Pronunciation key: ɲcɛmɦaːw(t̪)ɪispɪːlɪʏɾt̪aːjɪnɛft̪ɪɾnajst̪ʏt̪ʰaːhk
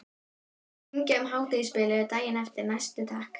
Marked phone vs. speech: correct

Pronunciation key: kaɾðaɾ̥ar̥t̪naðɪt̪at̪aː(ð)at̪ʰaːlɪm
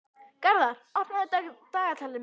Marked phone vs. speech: incorrect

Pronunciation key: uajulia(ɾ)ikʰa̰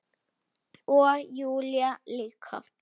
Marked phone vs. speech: incorrect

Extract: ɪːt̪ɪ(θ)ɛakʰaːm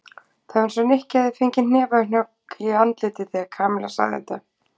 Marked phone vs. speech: correct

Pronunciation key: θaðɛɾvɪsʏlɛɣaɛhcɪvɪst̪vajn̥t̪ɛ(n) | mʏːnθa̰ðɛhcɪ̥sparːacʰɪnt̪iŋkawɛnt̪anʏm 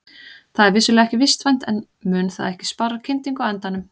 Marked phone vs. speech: correct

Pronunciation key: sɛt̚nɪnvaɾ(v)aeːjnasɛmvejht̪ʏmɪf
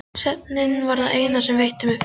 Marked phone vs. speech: incorrect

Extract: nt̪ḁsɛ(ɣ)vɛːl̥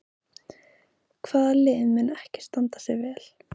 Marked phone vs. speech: correct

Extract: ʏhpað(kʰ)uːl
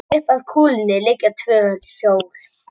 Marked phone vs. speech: correct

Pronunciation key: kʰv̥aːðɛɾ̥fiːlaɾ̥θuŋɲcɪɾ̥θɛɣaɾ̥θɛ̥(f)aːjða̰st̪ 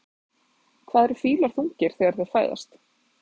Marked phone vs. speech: correct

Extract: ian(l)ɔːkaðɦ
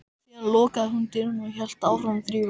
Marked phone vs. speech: correct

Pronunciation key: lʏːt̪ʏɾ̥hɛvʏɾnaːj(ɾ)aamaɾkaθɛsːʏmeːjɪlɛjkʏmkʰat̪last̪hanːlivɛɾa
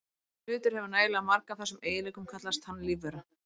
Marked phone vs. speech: incorrect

